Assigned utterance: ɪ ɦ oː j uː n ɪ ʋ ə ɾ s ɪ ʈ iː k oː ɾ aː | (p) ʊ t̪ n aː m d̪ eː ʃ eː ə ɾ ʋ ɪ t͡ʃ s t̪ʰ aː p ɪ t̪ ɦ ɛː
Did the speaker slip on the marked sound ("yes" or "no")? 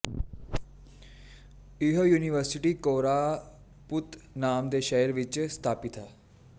no